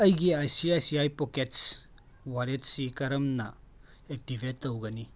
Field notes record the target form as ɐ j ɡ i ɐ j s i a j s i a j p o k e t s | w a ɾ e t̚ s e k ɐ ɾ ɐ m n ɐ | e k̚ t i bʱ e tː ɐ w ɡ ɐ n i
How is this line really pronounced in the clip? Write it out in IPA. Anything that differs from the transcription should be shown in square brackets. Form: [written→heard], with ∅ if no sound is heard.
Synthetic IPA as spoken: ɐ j ɡ i [ɐ→a] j s i a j s i a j p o k e t s | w a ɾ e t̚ s [e→i] k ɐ ɾ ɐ m n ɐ | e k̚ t i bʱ e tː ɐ w ɡ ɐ n i